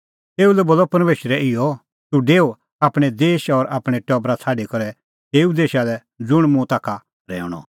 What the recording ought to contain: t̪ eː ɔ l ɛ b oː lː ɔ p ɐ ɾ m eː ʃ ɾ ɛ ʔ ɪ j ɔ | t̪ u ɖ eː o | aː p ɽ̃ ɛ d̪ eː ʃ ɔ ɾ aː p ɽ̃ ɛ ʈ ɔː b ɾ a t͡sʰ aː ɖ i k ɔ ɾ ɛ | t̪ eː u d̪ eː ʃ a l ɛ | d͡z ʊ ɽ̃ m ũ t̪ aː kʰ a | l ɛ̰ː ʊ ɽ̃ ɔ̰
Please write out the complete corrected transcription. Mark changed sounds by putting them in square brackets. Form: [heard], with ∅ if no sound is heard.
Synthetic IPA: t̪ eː [u] l ɛ b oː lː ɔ p ɐ ɾ m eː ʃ ɾ ɛ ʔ ɪ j ɔ | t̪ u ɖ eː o | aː p ɽ̃ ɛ d̪ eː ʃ ɔ ɾ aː p ɽ̃ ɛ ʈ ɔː b ɾ a t͡sʰ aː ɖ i k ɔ ɾ ɛ | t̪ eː u d̪ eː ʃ a l ɛ | d͡z ʊ ɽ̃ m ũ t̪ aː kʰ a | [ɾ] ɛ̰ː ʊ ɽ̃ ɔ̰